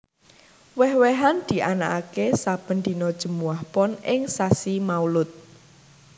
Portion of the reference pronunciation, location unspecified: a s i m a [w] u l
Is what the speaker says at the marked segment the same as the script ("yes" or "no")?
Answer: no